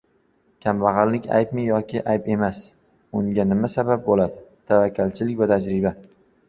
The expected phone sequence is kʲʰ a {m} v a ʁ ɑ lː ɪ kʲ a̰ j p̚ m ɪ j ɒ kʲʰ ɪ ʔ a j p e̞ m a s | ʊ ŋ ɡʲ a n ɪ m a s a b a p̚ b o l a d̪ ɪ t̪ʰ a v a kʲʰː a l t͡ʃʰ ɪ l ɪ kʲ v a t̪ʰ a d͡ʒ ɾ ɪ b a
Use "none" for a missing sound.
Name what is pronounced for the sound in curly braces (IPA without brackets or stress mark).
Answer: m